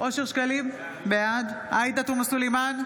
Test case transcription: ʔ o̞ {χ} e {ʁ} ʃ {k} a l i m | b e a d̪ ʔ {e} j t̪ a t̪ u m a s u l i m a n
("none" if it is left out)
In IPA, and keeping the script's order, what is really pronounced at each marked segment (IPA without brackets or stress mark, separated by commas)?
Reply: ʃ, ʁ, k, a